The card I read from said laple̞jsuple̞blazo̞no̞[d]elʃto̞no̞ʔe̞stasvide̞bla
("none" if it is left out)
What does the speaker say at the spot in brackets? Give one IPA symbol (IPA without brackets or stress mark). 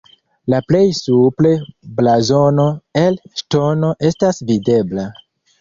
none